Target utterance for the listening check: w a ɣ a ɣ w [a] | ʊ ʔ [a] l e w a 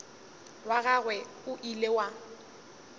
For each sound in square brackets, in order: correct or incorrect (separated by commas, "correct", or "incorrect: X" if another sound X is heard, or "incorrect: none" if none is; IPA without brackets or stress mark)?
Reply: incorrect: ɛ, incorrect: i